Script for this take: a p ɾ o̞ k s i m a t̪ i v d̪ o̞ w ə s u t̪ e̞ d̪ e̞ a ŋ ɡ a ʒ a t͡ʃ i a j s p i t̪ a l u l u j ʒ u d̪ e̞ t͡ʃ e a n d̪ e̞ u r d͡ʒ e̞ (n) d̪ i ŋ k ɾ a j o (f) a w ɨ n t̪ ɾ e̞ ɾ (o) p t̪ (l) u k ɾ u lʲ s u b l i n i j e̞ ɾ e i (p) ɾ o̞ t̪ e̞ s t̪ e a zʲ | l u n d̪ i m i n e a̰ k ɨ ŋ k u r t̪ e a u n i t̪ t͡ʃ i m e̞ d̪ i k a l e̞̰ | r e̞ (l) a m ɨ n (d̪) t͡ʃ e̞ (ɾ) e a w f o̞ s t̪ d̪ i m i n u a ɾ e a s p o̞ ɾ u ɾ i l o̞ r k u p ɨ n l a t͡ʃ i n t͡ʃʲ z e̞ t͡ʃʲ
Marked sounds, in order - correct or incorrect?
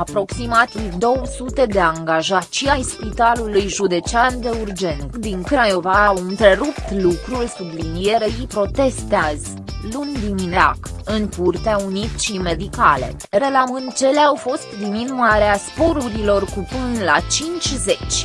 correct, incorrect: v, incorrect: u, correct, correct, correct, correct, incorrect: l

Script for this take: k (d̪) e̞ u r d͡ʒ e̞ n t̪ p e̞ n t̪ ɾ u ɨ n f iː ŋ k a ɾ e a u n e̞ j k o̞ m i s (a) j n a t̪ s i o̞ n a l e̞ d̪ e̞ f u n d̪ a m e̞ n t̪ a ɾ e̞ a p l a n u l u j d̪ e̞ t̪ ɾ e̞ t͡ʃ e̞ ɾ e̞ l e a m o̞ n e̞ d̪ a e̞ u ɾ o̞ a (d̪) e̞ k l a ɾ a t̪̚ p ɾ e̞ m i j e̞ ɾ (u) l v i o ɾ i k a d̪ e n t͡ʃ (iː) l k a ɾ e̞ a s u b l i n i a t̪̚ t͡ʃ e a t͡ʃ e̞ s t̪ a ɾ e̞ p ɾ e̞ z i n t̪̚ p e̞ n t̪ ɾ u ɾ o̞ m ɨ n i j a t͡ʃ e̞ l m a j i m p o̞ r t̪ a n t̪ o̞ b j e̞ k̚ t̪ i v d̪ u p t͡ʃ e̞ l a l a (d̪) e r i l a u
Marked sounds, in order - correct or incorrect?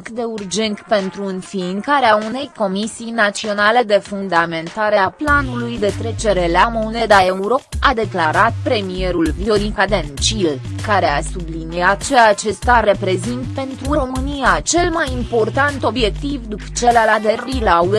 correct, incorrect: i, correct, correct, incorrect: i, correct

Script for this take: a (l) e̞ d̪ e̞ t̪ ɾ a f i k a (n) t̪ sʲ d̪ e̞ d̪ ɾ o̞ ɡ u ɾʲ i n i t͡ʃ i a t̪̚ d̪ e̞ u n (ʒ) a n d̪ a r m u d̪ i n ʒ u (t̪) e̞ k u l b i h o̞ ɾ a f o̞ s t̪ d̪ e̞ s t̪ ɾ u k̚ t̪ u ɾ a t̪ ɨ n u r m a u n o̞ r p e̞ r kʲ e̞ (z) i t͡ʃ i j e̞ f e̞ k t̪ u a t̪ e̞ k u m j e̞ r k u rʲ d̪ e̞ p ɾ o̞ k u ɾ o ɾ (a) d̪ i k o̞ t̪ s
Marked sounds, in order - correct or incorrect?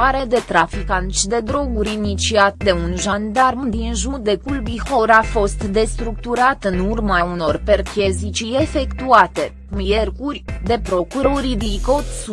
incorrect: ɾ, correct, correct, incorrect: d̪, correct, incorrect: i

